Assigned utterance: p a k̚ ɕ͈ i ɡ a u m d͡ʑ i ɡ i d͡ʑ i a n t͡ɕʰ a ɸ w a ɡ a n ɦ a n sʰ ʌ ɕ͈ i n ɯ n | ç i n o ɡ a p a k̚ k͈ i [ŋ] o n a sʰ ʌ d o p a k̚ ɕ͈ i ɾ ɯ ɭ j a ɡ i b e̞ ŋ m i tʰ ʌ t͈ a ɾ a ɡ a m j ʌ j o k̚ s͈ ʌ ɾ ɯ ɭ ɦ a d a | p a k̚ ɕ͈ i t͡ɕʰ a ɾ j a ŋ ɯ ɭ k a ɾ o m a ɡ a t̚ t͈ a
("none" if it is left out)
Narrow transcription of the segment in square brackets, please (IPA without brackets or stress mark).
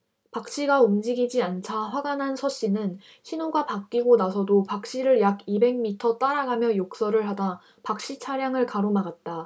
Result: ɡ